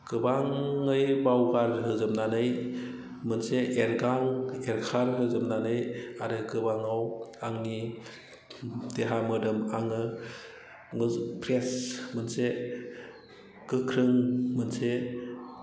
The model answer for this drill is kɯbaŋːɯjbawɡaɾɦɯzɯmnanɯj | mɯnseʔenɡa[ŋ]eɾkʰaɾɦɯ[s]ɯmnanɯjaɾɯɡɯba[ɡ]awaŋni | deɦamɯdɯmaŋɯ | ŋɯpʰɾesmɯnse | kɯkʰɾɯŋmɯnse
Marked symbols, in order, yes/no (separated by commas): yes, no, no